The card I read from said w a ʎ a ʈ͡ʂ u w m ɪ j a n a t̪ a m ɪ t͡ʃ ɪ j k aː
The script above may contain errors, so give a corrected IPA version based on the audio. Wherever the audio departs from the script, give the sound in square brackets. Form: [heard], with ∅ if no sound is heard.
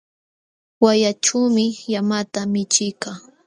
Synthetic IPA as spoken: w a [j] a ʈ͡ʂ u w m ɪ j a [m] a t̪ a m ɪ t͡ʃ ɪ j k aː

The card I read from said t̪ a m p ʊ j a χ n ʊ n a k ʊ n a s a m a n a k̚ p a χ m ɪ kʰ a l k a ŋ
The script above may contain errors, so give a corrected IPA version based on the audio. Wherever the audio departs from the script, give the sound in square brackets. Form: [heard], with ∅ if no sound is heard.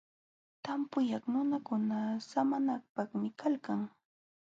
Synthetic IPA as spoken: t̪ a m p ʊ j a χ n ʊ n a k ʊ n a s a m a n a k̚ p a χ m ɪ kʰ a l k a ŋ

